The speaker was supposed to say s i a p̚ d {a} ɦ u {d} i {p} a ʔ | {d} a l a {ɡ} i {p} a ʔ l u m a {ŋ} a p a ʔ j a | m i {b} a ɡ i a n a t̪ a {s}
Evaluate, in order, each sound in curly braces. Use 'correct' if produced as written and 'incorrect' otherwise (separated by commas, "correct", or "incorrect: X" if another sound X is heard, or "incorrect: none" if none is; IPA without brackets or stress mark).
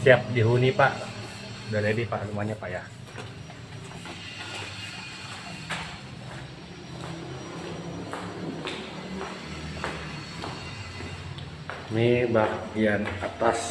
incorrect: i, incorrect: n, correct, correct, incorrect: d, correct, incorrect: ɲ, correct, correct